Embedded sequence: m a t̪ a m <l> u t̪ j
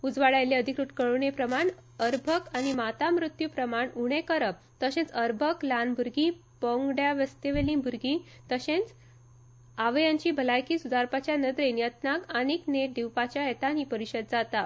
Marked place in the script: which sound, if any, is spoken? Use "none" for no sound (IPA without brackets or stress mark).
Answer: ɾ